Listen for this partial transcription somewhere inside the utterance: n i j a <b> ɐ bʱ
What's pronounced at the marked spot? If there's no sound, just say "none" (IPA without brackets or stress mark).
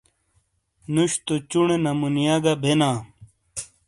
ɡ